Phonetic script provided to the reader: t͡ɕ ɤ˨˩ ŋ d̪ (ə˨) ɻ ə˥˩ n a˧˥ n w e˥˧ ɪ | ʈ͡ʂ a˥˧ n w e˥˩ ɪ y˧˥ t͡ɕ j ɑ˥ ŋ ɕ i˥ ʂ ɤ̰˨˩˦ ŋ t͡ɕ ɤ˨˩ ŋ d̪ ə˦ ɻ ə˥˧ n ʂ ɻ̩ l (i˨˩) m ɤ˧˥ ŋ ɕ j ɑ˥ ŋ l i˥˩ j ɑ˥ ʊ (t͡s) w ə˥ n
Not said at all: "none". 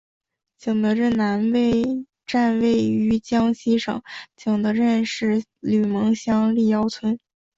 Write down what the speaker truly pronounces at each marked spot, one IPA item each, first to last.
ə˦, y˨˩, t͡sʰ

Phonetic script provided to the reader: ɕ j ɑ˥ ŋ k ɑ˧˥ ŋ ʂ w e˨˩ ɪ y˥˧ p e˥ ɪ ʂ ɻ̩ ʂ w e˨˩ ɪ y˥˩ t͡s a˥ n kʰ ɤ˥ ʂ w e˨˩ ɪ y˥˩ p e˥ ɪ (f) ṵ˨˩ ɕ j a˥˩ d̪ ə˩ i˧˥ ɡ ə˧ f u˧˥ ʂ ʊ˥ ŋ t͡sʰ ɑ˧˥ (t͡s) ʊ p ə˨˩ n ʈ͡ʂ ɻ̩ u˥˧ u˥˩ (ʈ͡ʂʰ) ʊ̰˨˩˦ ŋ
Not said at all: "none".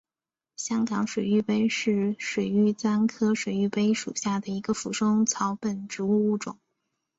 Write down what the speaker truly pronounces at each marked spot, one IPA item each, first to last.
ʂ, none, ʈ͡ʂ

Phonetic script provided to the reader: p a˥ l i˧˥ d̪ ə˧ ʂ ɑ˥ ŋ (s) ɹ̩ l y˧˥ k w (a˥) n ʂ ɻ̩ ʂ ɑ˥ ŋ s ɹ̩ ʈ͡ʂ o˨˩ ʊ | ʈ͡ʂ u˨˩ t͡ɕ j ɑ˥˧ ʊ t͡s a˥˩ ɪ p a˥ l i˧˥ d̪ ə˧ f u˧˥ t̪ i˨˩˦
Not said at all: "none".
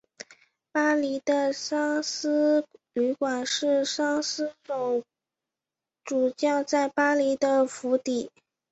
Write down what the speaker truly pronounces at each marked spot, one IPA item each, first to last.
s, a˨˩

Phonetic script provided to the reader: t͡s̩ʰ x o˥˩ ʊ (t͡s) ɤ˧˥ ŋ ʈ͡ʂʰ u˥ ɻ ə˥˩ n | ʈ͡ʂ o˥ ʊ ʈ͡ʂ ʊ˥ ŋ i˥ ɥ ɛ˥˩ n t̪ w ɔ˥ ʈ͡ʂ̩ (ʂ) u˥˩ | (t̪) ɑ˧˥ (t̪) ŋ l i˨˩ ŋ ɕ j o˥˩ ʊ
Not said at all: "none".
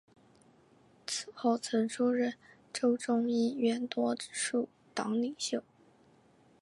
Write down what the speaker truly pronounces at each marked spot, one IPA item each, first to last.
t͡sʰ, ʂ, t̪, none

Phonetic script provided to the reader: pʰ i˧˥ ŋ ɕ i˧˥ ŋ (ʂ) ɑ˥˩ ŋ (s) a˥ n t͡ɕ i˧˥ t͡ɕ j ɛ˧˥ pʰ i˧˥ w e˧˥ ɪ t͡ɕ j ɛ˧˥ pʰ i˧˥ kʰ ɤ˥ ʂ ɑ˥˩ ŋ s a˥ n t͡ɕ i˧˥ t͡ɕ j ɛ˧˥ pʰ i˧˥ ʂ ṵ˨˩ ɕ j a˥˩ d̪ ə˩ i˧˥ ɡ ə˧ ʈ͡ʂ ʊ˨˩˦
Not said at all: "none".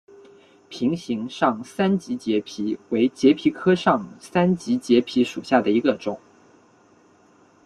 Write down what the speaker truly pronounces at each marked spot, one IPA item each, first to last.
ʂ, s

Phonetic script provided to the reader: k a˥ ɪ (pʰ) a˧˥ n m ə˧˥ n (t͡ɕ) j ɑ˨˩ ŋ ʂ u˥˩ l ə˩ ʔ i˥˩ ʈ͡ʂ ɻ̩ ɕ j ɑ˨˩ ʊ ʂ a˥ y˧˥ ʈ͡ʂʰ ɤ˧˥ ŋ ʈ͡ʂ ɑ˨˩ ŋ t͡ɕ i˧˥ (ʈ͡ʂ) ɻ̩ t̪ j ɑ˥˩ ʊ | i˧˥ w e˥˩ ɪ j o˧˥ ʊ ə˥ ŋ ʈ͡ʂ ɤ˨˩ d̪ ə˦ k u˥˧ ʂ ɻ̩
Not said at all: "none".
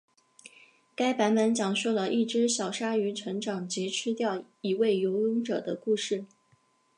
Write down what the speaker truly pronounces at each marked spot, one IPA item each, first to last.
p, t͡ɕ, ʈ͡ʂʰ

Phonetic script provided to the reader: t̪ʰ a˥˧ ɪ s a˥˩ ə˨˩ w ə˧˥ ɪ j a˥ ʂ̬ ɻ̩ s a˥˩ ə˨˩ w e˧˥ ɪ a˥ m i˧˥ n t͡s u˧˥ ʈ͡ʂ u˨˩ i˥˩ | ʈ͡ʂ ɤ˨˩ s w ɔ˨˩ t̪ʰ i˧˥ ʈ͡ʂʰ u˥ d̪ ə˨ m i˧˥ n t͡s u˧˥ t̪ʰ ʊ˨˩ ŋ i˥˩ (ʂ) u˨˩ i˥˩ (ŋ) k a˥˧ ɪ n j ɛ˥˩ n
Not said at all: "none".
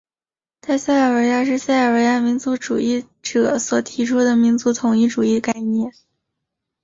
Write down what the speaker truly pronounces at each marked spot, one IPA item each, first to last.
ʈ͡ʂ, none

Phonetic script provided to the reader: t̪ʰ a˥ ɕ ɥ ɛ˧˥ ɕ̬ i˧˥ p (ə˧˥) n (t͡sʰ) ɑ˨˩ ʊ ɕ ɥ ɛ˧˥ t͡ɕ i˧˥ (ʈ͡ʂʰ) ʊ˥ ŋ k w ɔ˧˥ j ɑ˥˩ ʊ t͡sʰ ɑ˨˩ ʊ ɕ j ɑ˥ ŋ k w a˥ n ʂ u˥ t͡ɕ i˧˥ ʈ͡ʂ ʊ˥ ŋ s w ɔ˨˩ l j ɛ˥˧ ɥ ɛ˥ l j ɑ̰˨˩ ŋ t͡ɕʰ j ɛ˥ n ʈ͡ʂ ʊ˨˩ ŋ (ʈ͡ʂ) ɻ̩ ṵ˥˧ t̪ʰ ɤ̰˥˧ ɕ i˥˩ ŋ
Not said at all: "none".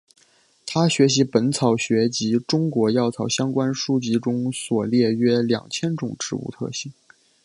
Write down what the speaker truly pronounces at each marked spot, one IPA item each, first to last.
ə˧˥, t͡sʰ, ʈ͡ʂ, ʈ͡ʂ

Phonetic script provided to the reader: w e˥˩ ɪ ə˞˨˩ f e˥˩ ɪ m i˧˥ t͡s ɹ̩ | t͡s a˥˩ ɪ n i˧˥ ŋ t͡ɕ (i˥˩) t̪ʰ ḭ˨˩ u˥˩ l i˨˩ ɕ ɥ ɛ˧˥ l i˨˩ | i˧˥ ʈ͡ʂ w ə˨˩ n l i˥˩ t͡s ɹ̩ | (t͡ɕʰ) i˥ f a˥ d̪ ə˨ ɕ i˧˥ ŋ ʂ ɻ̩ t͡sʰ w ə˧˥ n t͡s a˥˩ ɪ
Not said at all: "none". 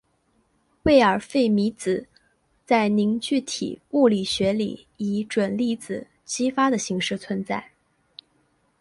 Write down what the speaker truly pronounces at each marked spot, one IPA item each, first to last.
y˥˩, t͡ɕ

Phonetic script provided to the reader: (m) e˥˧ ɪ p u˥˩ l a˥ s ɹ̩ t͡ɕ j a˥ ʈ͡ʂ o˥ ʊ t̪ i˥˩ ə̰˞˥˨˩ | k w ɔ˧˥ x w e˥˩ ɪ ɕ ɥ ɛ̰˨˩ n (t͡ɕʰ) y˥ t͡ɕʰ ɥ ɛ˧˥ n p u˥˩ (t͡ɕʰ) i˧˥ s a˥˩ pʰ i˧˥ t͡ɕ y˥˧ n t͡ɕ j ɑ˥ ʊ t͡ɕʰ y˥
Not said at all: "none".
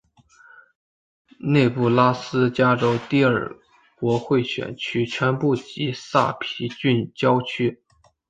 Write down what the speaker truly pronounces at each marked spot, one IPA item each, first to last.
n, t͡ɕʰ, t͡ɕ

